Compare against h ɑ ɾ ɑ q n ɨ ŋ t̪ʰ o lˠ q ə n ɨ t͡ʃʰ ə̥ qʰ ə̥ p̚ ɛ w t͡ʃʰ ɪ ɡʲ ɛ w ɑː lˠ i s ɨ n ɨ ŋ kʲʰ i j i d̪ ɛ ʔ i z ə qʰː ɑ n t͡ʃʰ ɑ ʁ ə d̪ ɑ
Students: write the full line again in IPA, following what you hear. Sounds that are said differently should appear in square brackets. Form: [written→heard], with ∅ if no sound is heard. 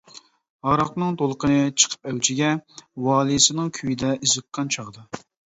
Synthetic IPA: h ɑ ɾ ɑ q n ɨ ŋ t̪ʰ o lˠ q ə n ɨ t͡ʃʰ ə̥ qʰ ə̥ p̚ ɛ w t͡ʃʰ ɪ ɡʲ ɛ w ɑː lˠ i s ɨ n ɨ ŋ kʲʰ [i→y] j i d̪ ɛ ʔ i z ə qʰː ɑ n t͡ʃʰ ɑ ʁ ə d̪ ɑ